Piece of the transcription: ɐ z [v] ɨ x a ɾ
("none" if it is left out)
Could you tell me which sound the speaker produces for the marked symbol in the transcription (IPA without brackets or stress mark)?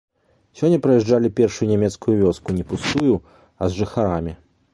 ʐ